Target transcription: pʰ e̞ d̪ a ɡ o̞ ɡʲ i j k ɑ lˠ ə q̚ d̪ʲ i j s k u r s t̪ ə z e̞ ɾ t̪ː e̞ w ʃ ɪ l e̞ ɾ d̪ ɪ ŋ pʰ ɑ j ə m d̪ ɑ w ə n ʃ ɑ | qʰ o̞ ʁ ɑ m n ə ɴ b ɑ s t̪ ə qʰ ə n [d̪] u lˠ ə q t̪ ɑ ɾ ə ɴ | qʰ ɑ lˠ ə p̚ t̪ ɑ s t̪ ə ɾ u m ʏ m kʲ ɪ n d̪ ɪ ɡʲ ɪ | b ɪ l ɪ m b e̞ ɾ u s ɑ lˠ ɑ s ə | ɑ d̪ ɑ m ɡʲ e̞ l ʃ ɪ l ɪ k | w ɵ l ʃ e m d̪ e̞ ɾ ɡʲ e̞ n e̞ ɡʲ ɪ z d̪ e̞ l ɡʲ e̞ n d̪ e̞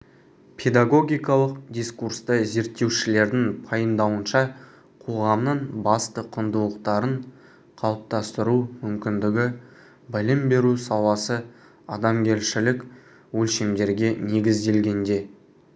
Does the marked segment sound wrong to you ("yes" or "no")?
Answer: no